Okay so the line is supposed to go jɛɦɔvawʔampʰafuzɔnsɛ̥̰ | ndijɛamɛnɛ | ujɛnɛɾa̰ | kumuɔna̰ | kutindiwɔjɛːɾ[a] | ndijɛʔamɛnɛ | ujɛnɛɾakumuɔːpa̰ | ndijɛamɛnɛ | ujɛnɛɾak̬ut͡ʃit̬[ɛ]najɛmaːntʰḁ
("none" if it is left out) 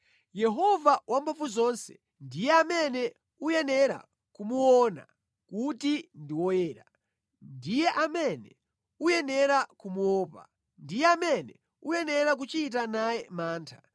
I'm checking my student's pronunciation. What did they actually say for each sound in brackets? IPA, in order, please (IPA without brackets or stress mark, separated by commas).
a, a